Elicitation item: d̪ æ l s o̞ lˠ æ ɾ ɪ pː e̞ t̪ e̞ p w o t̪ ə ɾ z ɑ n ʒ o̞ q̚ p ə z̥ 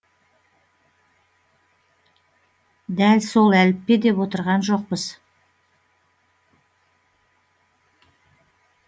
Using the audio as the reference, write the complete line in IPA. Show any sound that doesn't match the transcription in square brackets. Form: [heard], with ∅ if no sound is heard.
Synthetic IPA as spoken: d̪ æ l s o̞ lˠ æ [l] ɪ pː e̞ [d̪] e̞ p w o t̪ ə ɾ [ʁ] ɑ n ʒ o̞ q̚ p ə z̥